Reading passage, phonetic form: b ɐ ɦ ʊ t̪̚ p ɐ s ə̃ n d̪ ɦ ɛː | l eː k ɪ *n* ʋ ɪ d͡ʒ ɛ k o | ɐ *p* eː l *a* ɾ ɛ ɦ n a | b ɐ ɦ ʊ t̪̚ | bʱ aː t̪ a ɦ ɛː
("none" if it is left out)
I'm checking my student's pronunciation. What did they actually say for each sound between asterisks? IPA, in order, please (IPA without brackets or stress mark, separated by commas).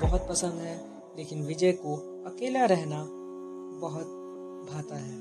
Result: n, k, a